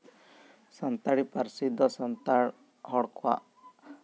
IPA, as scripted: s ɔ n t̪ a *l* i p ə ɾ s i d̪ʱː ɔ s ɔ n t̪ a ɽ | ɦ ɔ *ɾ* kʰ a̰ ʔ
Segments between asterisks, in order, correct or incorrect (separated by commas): incorrect, incorrect